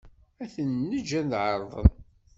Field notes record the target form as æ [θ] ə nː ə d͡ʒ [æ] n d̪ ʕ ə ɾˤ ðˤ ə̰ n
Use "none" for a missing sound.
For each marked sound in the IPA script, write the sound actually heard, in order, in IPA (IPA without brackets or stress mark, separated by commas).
θ, æ